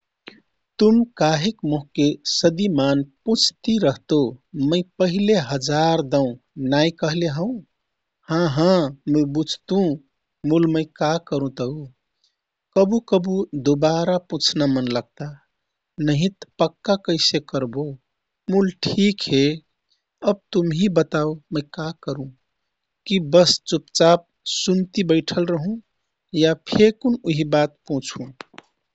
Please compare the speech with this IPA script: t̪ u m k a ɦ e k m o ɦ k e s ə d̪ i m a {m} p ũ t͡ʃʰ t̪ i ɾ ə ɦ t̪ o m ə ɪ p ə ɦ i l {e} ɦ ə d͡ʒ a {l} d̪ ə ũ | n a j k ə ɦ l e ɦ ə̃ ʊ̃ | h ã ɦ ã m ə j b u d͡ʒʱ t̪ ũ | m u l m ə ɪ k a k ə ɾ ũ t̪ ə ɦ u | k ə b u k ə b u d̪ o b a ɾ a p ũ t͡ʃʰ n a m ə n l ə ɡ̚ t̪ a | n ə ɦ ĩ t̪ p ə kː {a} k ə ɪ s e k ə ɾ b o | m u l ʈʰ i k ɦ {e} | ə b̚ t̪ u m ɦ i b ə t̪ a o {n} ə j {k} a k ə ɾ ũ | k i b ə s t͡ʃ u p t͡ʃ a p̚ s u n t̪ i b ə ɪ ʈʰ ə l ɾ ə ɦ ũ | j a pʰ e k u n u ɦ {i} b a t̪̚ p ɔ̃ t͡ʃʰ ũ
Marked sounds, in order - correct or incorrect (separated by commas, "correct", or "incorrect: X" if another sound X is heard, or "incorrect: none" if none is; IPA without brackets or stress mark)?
incorrect: n, correct, incorrect: ɾ, correct, correct, incorrect: m, correct, correct